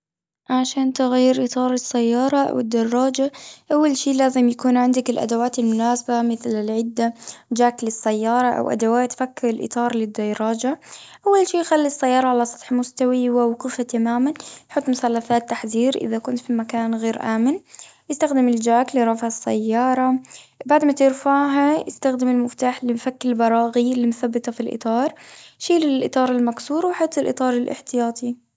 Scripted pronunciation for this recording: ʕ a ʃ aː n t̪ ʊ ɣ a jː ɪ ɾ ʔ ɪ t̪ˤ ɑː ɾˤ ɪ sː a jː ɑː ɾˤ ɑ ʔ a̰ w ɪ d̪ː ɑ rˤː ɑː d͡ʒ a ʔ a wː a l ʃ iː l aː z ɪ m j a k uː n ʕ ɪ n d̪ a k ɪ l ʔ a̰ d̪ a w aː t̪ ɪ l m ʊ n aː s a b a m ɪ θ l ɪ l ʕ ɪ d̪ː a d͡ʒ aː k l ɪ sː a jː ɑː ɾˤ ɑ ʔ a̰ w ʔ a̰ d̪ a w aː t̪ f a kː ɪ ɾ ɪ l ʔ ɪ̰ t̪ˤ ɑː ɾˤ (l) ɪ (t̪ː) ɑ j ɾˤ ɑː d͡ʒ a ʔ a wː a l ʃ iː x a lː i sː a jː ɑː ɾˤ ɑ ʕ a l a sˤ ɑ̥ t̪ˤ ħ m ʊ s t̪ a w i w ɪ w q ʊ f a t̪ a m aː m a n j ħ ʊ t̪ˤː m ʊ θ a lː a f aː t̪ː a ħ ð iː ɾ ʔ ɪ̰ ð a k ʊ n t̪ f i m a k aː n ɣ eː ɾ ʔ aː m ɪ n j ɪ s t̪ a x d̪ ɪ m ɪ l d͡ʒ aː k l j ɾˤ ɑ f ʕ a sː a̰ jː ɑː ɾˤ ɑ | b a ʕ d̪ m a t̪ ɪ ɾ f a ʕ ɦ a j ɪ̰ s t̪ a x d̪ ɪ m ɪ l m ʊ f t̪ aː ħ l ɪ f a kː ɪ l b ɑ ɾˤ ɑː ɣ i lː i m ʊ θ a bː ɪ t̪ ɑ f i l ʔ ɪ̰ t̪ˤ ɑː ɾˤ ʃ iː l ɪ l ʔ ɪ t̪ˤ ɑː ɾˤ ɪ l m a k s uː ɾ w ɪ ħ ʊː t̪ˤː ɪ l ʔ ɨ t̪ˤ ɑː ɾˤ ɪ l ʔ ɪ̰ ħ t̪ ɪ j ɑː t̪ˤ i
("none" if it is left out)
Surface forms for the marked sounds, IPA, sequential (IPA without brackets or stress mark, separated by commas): l, d̪ː